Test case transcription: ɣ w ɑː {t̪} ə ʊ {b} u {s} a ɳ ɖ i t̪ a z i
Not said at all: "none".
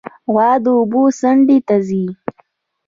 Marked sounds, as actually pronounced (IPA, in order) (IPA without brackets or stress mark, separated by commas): d̪, b, s